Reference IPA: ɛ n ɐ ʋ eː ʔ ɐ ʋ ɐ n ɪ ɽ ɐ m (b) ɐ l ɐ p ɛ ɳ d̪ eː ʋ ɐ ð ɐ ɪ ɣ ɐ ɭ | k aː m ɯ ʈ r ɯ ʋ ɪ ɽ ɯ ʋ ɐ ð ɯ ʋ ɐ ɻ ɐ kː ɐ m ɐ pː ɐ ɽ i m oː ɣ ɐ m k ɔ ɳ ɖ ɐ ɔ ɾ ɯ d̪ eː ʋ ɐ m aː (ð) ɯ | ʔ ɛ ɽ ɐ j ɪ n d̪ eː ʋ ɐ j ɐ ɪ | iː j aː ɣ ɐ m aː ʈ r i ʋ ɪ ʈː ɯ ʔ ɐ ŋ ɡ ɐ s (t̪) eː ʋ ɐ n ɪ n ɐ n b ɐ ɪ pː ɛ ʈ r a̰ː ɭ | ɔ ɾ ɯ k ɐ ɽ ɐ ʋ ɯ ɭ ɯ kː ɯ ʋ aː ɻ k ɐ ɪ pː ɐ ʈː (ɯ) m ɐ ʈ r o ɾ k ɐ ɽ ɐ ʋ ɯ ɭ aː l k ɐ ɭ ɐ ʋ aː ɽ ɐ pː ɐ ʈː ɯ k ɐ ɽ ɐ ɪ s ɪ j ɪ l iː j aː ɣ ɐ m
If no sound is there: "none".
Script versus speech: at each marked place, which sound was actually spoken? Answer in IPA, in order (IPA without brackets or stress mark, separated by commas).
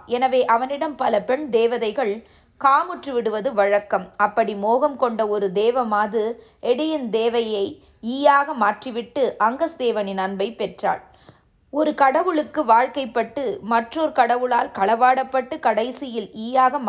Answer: p, ð, d̪, ɯ